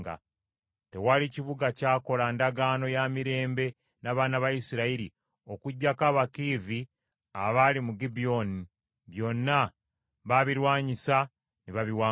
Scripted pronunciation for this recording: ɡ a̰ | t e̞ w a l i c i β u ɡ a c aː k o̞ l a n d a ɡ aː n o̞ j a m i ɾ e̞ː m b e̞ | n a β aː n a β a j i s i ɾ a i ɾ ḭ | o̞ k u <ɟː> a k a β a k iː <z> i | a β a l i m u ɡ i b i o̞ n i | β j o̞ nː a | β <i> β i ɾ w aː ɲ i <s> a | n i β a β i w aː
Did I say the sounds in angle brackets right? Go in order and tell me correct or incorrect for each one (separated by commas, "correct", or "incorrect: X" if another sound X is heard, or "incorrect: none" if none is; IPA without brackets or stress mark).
correct, incorrect: v, incorrect: a, correct